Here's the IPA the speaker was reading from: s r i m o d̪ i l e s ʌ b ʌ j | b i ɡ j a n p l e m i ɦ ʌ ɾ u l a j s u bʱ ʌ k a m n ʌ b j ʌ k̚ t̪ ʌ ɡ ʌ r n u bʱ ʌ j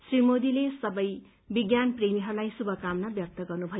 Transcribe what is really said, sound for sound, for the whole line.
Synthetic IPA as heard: s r i m o d̪ i l e s ʌ b ʌ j | b i ɡ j a n p r e m i ɦ ʌ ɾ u l a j s u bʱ ʌ k a m n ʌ b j ʌ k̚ t̪ ʌ ɡ ʌ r n u bʱ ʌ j